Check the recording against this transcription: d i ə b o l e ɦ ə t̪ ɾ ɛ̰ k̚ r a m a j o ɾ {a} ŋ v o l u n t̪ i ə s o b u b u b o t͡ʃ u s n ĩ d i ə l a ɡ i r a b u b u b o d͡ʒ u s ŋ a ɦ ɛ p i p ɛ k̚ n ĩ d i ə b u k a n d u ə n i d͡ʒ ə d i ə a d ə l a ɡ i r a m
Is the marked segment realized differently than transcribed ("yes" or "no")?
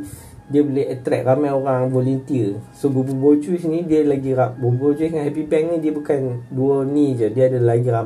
no